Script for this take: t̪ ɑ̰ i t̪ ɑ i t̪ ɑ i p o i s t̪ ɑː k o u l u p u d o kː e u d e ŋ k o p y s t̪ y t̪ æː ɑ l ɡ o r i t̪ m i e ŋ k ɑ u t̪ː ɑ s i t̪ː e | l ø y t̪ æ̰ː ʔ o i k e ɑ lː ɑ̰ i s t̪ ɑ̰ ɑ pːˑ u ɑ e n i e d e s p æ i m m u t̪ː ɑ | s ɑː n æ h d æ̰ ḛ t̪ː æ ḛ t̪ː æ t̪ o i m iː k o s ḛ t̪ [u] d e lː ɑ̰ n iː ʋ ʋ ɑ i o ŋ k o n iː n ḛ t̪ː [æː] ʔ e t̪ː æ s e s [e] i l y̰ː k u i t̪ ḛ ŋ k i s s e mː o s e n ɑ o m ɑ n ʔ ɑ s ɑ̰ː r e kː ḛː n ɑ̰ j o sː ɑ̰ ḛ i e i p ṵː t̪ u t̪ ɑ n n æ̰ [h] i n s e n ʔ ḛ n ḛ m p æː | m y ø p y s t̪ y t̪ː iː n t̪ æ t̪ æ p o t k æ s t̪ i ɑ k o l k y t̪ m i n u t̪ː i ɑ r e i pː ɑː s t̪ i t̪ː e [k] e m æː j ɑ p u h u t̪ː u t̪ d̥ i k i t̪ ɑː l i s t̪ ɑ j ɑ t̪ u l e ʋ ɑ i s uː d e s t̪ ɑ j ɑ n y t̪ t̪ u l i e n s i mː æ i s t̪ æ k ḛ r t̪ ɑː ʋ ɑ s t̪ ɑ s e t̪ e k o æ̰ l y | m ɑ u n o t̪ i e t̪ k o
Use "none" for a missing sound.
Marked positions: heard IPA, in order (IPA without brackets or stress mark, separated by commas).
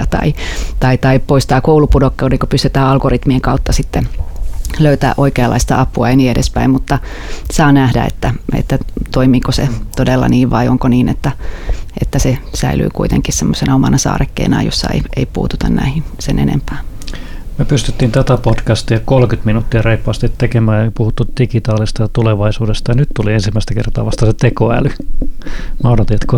o, æ, æ, h, k